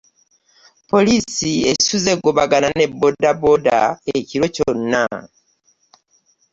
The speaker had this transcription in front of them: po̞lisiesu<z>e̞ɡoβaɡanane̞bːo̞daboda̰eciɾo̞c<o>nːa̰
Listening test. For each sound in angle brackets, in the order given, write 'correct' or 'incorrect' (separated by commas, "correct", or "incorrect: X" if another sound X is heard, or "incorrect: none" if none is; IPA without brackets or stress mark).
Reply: correct, correct